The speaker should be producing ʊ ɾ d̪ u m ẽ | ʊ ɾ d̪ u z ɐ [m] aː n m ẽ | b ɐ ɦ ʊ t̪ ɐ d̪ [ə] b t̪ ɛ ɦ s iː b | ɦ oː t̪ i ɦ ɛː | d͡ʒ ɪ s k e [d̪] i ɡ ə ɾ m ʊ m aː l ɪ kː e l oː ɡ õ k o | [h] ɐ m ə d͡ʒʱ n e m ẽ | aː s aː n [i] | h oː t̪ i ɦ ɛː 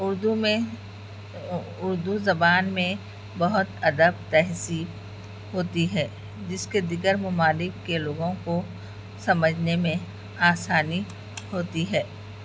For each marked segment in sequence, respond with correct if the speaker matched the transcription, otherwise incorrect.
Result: incorrect: b, correct, correct, incorrect: s, correct

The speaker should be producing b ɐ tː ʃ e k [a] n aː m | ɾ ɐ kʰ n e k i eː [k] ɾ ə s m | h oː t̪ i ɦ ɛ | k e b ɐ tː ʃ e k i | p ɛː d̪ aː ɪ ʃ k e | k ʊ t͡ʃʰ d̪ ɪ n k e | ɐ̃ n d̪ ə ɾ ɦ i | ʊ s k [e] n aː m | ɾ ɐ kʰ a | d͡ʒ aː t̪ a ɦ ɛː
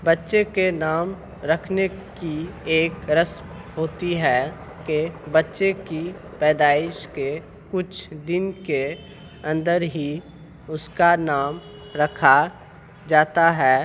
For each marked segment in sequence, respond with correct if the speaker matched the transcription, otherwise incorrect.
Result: incorrect: e, correct, incorrect: a

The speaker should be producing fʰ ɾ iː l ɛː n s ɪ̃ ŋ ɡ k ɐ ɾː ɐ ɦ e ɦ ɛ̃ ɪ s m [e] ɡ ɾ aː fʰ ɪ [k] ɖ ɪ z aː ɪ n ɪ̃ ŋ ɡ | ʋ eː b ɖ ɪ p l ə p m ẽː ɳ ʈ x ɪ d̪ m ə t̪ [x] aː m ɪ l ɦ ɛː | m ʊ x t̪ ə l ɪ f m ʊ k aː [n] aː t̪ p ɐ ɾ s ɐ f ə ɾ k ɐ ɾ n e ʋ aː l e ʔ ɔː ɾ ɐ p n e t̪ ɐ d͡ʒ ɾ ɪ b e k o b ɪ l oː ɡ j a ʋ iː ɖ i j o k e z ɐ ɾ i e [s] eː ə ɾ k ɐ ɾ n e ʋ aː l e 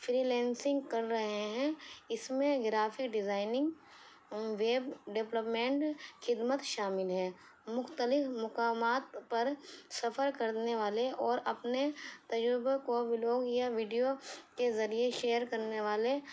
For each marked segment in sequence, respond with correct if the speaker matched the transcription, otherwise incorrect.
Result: incorrect: ẽ, correct, incorrect: ʃ, incorrect: m, incorrect: ʃ

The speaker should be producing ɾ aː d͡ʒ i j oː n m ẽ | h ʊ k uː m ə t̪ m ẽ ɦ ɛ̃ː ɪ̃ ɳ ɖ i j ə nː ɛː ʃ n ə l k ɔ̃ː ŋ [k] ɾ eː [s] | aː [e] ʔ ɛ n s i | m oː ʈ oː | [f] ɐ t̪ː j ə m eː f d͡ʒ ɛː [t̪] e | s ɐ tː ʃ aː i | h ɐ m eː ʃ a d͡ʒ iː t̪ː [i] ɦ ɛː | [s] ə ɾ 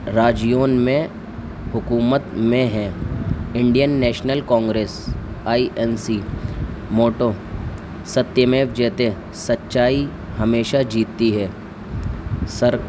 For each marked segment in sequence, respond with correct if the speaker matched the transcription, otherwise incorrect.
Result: incorrect: ɡ, correct, incorrect: i, incorrect: s, correct, correct, correct

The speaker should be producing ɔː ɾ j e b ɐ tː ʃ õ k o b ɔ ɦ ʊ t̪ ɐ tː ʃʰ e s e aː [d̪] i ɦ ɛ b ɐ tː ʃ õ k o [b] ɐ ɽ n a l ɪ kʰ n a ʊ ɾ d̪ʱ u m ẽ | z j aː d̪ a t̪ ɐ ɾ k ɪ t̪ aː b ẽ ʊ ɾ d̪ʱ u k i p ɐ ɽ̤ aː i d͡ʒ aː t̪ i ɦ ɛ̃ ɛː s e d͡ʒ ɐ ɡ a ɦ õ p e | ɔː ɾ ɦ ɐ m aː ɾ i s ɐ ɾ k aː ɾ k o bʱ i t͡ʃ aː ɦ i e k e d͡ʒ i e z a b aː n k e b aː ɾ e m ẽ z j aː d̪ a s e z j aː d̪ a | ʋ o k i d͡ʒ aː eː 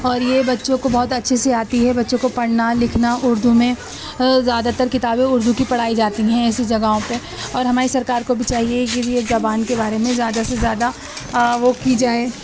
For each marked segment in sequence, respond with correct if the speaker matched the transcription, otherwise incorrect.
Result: incorrect: t̪, incorrect: p

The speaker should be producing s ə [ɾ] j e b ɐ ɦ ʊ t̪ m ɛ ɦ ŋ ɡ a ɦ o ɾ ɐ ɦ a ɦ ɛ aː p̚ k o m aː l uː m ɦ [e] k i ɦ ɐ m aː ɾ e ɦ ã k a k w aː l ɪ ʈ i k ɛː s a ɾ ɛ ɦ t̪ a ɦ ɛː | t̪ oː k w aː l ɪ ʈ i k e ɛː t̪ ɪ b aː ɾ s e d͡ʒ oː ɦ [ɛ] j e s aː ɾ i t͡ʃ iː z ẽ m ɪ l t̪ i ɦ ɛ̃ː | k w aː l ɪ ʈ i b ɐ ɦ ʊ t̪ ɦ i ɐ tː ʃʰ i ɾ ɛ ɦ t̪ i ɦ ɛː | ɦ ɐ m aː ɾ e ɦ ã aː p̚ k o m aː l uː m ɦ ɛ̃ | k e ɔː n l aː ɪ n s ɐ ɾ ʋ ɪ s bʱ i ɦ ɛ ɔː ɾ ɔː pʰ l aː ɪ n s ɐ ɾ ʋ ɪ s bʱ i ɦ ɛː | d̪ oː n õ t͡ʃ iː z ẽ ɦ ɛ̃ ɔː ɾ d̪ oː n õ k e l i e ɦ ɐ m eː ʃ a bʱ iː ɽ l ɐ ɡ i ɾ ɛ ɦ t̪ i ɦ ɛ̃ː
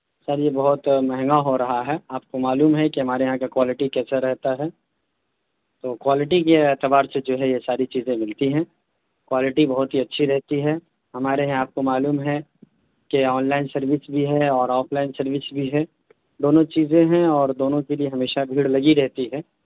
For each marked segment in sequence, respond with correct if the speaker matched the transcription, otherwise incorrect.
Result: correct, incorrect: ɛ, correct

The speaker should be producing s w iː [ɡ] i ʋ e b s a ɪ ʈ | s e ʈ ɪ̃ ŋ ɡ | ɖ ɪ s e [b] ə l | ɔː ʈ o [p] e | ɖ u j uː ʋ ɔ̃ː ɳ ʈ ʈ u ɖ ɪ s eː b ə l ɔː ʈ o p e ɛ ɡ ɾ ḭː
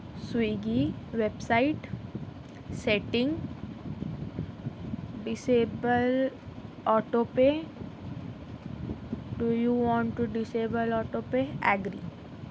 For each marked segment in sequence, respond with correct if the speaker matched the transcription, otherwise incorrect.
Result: correct, correct, correct

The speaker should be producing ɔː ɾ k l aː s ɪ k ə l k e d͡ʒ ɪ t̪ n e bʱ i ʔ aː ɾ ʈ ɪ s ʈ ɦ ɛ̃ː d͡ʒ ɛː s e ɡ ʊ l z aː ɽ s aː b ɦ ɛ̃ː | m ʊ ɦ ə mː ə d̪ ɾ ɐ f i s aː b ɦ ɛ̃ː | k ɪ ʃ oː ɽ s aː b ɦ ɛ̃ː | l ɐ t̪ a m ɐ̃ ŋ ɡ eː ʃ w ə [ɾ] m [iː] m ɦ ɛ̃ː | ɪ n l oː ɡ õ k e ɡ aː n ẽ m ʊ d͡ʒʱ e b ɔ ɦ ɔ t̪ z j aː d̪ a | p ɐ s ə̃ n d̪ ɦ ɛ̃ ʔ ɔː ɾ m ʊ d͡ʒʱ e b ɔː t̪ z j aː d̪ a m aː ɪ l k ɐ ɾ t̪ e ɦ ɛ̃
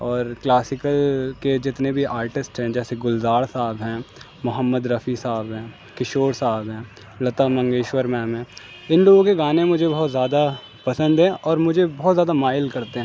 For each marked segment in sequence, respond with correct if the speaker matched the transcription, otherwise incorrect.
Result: correct, incorrect: ɛː

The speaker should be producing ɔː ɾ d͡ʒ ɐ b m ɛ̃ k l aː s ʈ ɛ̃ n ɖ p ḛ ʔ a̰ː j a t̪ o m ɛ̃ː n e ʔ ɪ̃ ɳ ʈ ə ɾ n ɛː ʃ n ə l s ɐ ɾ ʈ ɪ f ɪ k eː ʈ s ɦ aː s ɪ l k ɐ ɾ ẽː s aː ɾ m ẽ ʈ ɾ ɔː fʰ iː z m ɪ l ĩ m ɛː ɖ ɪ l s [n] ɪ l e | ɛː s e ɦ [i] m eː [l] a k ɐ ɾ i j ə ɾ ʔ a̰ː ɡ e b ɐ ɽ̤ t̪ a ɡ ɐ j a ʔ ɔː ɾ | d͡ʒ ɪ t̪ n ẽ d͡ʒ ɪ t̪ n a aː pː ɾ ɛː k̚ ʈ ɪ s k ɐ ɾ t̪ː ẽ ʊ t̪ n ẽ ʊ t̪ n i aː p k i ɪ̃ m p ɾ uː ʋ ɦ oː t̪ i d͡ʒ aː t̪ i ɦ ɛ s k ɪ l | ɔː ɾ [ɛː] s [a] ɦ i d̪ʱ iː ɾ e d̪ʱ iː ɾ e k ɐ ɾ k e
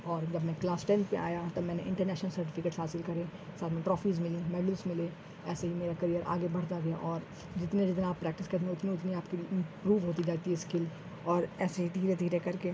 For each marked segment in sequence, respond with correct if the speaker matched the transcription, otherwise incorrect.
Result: incorrect: m, correct, incorrect: ɾ, correct, incorrect: e

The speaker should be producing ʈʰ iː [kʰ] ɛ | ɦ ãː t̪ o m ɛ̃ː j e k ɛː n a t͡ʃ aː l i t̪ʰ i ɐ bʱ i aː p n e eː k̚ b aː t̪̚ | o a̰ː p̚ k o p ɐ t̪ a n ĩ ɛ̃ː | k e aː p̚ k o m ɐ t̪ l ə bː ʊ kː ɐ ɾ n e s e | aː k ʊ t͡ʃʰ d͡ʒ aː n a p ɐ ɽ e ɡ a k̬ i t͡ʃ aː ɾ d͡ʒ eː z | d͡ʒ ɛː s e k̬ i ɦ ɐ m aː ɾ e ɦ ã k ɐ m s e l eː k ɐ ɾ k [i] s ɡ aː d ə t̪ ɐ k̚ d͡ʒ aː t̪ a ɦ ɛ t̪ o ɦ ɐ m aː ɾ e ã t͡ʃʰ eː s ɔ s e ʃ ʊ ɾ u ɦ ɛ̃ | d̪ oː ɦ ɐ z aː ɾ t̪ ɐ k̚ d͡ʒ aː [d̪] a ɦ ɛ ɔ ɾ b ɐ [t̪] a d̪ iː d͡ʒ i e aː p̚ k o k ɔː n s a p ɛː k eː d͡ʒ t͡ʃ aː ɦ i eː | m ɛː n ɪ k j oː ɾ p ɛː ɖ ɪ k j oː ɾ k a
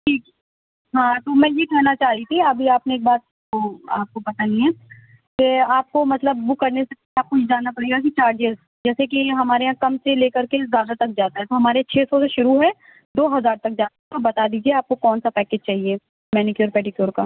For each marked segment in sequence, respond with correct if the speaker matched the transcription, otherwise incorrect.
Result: incorrect: k, incorrect: e, incorrect: t̪, correct

